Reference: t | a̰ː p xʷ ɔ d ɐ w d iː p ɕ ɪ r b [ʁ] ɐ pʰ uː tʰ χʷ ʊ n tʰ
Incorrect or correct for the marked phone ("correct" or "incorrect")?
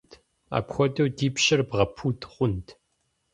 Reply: correct